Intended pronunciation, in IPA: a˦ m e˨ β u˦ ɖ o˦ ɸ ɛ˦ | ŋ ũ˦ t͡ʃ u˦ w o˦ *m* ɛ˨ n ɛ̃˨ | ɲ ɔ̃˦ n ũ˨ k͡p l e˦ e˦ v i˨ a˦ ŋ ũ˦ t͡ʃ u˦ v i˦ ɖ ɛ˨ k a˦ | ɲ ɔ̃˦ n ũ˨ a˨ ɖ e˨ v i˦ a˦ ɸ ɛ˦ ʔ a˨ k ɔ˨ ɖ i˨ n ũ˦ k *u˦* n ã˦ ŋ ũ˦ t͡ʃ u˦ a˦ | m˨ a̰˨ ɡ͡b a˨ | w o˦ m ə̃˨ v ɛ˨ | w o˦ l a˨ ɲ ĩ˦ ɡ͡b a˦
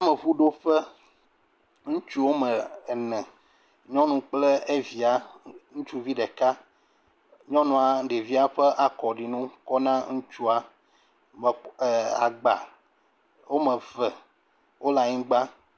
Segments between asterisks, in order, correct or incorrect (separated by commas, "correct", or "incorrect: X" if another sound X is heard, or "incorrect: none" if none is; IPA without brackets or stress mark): correct, incorrect: ɔ˦